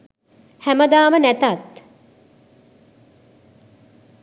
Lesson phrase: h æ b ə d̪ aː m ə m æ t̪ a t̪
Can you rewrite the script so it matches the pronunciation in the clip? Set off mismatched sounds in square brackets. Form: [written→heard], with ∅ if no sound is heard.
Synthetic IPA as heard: h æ [b→m] ə d̪ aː m ə [m→n] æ t̪ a t̪